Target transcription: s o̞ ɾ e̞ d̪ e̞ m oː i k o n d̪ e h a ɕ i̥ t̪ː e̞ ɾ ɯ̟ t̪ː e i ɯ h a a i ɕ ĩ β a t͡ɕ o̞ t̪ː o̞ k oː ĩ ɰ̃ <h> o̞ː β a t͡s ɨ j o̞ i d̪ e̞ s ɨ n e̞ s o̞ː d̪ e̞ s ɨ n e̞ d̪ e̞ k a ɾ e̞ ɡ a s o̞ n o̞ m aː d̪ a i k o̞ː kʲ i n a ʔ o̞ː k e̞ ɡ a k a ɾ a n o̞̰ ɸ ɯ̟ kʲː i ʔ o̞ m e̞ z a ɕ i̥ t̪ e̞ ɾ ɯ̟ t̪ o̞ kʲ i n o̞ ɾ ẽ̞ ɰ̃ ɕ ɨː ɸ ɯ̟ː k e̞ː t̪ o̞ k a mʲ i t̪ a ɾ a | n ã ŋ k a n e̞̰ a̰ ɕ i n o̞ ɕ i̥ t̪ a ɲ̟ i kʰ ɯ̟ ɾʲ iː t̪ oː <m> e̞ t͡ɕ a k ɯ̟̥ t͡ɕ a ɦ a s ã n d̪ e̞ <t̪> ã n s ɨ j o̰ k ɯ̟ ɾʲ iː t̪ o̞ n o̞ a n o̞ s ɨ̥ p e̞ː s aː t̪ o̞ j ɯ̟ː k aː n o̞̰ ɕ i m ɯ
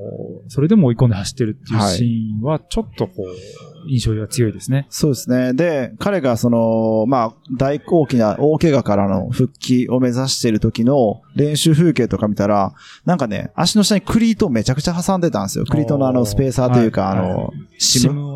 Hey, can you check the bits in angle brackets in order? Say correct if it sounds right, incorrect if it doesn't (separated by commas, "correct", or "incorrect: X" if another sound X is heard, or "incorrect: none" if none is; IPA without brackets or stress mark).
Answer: incorrect: ɕ, correct, correct